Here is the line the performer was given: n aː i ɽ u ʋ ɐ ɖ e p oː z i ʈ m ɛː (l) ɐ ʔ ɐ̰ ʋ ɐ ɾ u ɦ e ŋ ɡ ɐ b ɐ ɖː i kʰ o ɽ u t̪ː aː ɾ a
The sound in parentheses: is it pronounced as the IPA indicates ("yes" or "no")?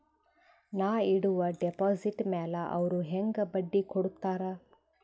yes